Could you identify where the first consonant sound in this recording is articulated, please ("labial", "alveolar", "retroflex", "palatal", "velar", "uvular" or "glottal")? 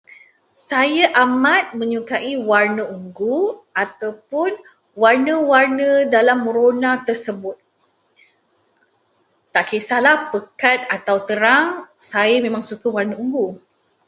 alveolar